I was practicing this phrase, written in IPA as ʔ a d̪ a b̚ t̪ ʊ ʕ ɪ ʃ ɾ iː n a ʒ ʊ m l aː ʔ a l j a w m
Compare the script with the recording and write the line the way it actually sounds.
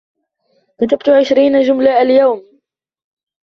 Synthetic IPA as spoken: k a t̪ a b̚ t̪ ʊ ʕ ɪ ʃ ɾ iː n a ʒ ʊ m l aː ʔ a l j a w m